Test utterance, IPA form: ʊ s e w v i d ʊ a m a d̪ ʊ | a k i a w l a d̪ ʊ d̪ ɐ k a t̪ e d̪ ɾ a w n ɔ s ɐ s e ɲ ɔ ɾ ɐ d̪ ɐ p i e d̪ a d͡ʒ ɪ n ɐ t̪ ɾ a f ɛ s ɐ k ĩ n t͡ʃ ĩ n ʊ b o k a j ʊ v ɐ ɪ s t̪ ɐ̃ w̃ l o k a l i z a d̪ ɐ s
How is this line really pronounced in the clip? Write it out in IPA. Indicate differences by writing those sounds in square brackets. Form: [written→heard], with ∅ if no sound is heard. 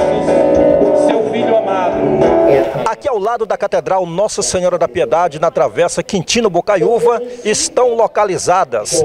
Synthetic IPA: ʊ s e w v i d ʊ a m a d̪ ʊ | a k i a w l a d̪ ʊ d̪ ɐ k a t̪ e d̪ ɾ a w n ɔ s ɐ s e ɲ ɔ ɾ ɐ d̪ ɐ p i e d̪ a d͡ʒ ɪ n ɐ t̪ ɾ a [f→v] ɛ s ɐ k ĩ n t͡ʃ ĩ n ʊ b o k a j [ʊ→u] v ɐ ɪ s t̪ ɐ̃ w̃ l o k a l i z a d̪ ɐ s